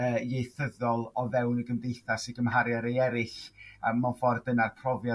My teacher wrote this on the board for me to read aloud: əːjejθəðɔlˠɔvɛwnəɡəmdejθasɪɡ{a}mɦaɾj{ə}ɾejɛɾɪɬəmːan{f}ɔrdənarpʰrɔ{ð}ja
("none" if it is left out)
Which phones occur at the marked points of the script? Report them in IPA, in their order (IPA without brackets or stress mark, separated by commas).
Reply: ə, a, f, v